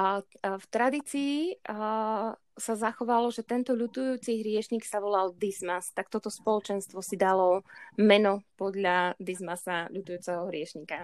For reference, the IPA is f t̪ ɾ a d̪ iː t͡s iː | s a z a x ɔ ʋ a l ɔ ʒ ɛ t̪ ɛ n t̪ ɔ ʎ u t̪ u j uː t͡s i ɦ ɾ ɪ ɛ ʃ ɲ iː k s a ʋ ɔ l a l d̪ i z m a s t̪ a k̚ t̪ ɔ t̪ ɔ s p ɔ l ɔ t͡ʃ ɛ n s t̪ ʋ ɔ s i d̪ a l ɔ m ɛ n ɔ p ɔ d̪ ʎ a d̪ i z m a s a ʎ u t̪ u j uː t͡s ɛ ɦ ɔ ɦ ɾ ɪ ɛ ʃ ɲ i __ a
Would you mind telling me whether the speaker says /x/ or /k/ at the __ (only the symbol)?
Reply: k